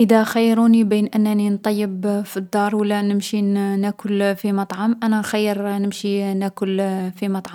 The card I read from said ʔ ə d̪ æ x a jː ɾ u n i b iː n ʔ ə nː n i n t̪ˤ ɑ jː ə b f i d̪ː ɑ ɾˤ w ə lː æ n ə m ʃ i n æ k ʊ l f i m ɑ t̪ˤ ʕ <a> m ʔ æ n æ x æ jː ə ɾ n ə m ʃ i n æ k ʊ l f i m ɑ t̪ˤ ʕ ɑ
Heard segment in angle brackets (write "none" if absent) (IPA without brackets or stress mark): ɑ